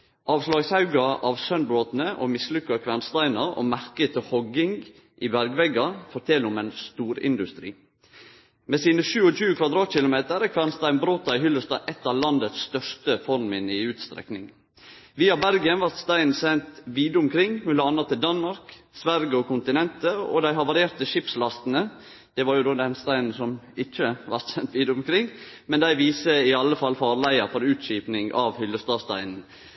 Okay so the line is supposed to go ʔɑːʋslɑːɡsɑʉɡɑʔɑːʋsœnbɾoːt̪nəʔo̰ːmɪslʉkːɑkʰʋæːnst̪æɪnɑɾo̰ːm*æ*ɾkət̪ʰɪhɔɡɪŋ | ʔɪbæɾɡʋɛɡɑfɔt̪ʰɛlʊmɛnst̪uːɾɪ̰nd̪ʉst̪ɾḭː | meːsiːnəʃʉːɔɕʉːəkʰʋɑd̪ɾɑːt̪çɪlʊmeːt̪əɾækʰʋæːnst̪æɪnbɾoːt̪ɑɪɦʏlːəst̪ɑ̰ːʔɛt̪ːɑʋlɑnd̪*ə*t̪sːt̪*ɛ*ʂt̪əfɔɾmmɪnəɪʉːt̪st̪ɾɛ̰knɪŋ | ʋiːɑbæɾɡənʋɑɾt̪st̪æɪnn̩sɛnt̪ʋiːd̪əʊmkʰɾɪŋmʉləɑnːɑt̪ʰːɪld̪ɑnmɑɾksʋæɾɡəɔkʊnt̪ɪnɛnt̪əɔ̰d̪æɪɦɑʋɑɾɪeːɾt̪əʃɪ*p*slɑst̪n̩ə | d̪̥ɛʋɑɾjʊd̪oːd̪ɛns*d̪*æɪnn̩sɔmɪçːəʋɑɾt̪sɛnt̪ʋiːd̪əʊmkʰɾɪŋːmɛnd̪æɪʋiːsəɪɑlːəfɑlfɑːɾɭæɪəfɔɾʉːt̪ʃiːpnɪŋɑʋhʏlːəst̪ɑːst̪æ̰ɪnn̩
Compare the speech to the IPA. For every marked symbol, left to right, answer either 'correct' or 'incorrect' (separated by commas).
correct, correct, incorrect, correct, incorrect